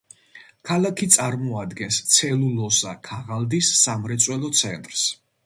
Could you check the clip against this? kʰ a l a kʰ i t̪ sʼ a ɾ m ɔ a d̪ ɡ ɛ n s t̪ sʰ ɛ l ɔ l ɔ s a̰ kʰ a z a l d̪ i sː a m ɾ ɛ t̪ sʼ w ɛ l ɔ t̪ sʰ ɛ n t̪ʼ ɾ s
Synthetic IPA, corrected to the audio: kʰ a l a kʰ i t̪ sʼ a ɾ m ɔ a d̪ ɡ ɛ n s t̪ sʰ ɛ l u l ɔ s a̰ kʰ a ʁ a l d̪ i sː a m ɾ ɛ t̪ sʼ w ɛ l ɔ t̪ sʰ ɛ n t̪ʼ ɾ s